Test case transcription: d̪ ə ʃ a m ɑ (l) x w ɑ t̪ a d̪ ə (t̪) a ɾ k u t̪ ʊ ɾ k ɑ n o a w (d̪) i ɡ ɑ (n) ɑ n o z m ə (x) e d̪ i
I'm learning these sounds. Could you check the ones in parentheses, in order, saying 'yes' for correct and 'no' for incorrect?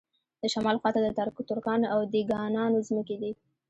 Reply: yes, yes, yes, yes, no

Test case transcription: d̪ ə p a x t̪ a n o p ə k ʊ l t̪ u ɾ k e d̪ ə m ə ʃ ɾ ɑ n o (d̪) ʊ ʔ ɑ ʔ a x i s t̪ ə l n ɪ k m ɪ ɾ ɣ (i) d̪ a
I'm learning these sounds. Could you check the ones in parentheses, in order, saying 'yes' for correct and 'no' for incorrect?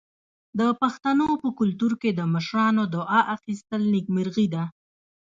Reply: yes, yes

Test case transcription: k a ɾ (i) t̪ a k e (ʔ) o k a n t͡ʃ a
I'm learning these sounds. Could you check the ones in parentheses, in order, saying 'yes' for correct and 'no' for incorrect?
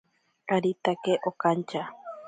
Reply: yes, yes

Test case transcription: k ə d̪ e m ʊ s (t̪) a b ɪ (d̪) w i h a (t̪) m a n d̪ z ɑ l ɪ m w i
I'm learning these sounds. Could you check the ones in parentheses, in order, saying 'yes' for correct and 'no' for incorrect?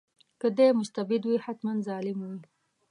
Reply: yes, yes, yes

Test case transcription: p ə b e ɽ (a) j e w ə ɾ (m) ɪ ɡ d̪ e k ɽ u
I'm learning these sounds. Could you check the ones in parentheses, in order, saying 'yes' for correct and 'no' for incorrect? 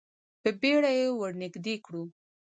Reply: yes, no

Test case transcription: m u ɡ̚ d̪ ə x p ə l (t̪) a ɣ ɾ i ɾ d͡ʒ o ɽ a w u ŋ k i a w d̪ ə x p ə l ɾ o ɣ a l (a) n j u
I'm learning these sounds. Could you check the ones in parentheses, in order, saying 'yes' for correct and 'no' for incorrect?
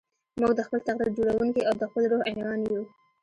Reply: yes, no

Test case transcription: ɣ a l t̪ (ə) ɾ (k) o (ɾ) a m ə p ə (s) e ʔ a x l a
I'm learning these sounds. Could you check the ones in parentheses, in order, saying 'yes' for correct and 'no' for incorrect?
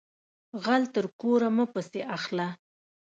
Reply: yes, yes, yes, yes

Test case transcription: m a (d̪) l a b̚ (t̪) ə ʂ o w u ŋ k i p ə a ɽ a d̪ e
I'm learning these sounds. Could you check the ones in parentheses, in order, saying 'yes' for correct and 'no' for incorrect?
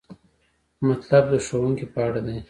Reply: no, no

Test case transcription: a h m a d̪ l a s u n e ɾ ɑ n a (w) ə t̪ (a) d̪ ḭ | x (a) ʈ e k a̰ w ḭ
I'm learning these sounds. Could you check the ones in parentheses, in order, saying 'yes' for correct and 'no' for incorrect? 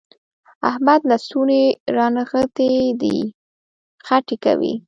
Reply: no, no, yes

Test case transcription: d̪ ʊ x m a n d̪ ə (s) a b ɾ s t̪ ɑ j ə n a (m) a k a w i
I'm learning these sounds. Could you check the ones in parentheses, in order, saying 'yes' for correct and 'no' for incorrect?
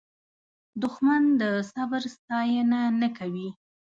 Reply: yes, no

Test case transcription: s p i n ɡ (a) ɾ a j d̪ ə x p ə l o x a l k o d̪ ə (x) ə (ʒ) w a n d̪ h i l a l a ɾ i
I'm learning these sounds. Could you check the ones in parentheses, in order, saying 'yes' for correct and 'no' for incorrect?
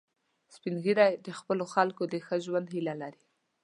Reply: no, yes, yes

